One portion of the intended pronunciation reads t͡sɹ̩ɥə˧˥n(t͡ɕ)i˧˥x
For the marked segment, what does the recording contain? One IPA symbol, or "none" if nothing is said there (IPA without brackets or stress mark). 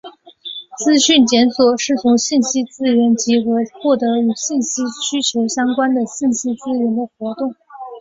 t͡ɕ